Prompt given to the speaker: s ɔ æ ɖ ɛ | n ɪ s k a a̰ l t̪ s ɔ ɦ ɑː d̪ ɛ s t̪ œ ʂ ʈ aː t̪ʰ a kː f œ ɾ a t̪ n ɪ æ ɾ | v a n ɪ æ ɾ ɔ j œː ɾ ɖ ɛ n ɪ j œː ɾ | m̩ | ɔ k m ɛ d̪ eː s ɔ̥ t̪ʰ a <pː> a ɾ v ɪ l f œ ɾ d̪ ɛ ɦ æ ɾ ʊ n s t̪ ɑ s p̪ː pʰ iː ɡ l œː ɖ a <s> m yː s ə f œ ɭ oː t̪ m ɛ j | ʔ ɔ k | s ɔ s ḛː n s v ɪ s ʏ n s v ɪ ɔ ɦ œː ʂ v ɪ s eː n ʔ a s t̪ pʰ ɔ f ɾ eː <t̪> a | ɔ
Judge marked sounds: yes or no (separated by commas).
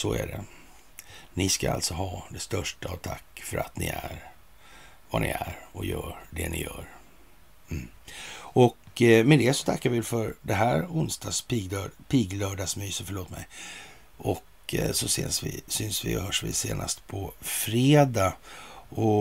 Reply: no, yes, no